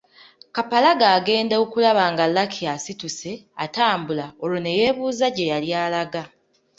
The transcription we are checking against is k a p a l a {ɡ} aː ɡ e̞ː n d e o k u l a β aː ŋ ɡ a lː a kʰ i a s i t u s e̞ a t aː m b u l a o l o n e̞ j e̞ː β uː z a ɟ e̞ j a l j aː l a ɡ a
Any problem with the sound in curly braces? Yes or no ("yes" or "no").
no